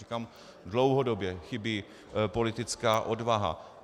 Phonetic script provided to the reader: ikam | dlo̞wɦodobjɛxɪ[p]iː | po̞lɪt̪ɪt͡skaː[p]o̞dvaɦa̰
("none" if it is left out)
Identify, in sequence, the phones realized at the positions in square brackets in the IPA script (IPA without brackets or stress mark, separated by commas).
b, ʔ